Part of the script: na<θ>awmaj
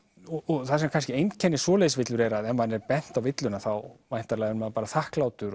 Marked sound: correct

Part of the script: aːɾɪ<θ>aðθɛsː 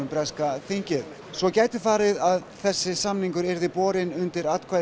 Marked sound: incorrect: ð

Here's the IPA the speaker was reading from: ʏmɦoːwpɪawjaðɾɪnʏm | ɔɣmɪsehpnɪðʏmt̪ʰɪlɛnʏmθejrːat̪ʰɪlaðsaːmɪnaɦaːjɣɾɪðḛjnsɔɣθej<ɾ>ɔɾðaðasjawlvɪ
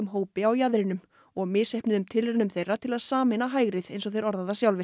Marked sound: correct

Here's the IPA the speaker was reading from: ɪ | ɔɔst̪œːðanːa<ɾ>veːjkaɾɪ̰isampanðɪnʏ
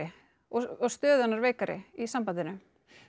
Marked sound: correct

